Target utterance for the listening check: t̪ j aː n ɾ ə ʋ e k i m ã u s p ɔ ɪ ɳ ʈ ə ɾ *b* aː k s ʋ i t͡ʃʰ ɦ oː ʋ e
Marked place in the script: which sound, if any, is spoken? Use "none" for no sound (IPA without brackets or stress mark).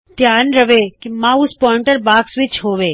b